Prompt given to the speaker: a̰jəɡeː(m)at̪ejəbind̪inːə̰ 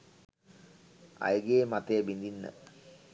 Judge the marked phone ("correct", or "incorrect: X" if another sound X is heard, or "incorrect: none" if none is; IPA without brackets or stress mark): correct